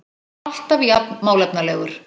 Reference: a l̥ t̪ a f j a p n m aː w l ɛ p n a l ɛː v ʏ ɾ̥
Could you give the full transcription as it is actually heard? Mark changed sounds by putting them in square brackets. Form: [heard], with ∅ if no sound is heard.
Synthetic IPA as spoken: a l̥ t̪ a [v] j a p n m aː w l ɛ p n a l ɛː [ɣ] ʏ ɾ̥